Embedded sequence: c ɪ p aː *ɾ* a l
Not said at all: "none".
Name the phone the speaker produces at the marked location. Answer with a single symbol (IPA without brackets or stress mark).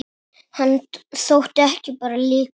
ɾ